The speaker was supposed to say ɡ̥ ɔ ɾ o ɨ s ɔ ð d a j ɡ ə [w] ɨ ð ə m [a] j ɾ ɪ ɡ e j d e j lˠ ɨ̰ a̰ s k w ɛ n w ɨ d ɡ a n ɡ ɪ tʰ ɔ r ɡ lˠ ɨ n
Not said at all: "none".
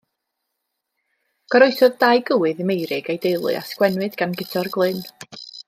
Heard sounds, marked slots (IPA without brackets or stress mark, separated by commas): w, e